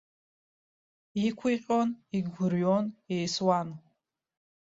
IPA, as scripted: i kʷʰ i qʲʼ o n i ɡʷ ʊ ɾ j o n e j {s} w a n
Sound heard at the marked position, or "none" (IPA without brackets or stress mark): s